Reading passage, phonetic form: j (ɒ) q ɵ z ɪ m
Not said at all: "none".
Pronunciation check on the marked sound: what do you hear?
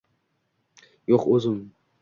o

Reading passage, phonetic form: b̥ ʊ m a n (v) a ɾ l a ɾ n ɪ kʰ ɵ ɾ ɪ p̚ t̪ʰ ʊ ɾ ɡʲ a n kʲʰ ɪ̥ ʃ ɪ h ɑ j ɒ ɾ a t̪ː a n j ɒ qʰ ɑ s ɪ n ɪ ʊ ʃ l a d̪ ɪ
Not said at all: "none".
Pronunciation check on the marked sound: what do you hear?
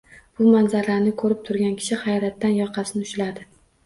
z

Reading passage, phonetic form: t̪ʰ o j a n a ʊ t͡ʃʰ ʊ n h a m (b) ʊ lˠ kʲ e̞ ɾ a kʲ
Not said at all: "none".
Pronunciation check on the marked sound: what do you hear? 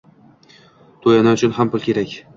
p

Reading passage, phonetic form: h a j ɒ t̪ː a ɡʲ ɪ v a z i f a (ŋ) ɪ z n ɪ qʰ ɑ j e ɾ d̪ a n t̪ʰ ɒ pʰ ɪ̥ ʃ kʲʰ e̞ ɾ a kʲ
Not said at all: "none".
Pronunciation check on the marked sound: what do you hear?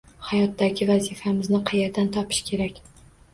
m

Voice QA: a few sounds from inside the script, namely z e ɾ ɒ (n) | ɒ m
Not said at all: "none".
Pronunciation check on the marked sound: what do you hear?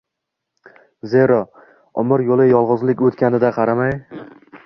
none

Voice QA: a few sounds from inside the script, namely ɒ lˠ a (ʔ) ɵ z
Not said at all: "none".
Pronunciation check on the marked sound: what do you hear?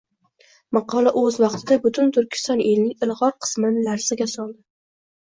ʔ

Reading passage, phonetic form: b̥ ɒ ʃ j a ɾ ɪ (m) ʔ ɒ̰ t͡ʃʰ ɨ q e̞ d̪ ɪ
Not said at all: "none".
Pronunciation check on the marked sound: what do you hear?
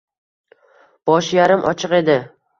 m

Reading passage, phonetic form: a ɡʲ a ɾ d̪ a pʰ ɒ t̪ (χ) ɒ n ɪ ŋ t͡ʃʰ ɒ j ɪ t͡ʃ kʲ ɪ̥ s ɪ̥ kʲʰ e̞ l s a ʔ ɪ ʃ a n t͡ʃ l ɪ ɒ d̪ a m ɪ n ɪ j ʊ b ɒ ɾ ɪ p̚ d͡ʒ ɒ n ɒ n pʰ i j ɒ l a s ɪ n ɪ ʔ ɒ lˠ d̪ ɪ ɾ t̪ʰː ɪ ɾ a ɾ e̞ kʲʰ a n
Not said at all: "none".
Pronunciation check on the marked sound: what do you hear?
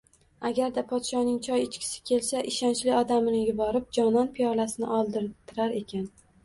ʃ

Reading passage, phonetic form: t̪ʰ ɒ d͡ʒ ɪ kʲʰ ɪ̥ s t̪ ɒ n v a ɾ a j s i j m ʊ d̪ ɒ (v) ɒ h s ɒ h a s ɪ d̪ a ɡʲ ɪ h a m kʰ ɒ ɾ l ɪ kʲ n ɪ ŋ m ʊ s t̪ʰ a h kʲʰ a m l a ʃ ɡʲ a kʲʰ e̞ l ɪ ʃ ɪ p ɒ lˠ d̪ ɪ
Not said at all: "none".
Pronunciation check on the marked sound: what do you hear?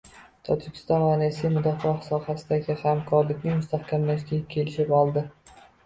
f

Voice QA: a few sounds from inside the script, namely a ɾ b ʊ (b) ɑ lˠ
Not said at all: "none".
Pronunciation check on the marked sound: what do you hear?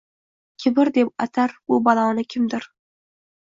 b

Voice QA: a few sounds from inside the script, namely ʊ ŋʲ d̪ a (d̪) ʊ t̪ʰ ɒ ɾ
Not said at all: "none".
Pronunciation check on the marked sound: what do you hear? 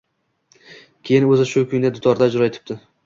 d̪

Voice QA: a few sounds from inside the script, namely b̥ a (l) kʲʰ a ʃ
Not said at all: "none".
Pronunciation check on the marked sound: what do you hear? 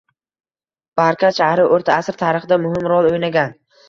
ɾ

